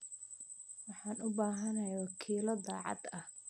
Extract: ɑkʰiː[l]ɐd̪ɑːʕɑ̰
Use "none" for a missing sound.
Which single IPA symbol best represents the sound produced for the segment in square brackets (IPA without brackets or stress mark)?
l